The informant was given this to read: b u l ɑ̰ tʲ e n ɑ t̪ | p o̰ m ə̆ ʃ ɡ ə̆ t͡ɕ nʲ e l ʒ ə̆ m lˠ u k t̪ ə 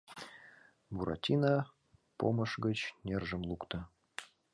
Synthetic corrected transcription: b u ɾ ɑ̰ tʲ i n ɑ | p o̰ m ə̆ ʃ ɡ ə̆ t͡ɕ nʲ e r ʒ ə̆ m lˠ u k t̪ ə